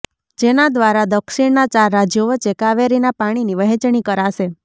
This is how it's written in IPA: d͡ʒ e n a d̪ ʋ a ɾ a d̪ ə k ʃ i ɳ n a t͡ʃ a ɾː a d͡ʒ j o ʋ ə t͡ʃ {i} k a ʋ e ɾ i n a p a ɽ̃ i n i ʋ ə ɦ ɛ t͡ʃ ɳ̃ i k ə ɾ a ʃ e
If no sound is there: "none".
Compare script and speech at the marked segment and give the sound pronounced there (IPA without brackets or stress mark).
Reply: e